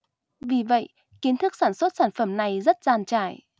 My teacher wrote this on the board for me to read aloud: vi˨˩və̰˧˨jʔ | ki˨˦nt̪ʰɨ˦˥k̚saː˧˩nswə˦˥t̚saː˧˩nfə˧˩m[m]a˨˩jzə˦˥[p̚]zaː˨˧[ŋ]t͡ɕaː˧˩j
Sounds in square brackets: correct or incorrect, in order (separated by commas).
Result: incorrect, incorrect, incorrect